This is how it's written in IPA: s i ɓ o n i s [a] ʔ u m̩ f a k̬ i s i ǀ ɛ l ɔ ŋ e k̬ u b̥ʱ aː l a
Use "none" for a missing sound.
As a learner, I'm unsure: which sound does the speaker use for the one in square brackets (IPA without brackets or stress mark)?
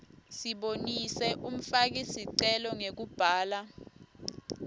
ɛ